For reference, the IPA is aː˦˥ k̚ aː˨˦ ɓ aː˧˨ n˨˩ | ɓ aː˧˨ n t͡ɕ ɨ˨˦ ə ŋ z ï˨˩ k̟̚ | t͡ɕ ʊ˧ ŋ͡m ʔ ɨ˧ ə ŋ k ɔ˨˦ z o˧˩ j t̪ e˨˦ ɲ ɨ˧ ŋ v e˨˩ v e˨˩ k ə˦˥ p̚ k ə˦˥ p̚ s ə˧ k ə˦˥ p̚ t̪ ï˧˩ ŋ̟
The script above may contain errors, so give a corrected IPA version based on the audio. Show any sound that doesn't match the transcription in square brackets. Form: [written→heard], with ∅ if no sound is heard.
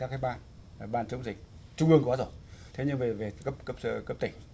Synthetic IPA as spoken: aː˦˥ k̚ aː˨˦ ɓ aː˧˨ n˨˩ | ɓ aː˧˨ n t͡ɕ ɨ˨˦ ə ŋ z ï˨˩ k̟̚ | t͡ɕ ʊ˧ ŋ͡m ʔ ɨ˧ ə ŋ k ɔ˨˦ z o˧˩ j [t̪→t̪ʰ] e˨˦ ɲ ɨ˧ ŋ v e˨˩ v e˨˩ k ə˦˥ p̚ k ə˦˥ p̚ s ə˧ k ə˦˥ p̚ t̪ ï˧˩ ŋ̟